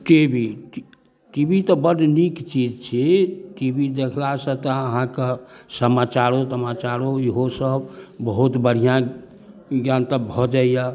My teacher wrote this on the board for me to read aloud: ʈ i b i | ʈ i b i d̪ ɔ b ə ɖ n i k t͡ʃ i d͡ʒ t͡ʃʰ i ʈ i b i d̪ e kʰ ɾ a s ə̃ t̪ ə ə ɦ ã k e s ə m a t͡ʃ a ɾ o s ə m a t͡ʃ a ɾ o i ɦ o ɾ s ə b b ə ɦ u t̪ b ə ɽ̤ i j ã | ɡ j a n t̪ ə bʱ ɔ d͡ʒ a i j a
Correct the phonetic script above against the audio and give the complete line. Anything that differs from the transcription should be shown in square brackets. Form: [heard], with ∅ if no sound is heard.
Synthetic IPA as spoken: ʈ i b i | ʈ i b i [t̪] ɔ b ə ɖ n i k t͡ʃ i d͡ʒ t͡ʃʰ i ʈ i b i d̪ e kʰ [l] a s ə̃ t̪ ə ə ɦ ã k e s ə m a t͡ʃ a ɾ o s ə m a t͡ʃ a ɾ o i ɦ o [∅] s ə b b ə ɦ u t̪ b ə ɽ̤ i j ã | ɡ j a n t̪ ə bʱ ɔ d͡ʒ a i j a